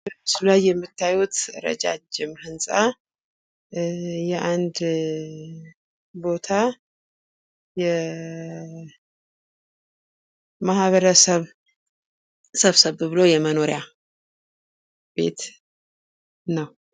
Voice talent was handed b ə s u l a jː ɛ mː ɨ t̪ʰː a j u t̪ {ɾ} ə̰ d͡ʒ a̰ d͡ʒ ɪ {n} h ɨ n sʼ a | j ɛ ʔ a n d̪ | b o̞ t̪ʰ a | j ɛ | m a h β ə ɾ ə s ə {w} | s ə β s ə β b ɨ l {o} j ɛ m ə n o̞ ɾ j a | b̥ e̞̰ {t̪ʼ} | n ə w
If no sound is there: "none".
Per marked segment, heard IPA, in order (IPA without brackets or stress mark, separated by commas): ɾ, m, β, o, t̪